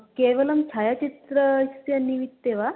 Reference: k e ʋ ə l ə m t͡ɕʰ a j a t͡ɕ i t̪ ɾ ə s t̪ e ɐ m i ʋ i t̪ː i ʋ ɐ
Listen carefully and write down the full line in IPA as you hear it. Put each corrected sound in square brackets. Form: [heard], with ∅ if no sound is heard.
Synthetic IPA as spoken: k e ʋ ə l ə m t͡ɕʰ a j a t͡ɕ i t̪ ɾ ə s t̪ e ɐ [n] i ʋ i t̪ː [e] ʋ [a]